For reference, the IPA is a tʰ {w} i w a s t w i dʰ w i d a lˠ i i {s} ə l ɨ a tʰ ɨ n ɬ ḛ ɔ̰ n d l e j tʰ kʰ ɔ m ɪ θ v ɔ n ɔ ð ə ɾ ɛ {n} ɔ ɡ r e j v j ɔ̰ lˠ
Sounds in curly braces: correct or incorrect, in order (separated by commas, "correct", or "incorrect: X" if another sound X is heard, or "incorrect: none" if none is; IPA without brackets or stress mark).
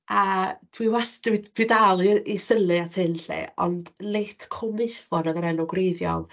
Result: correct, correct, correct